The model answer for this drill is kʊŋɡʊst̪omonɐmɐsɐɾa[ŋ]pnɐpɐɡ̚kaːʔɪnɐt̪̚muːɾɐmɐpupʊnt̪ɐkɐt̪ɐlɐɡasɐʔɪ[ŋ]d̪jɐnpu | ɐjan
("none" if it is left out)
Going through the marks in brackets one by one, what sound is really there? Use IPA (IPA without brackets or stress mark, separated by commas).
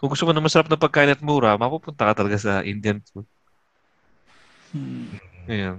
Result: none, n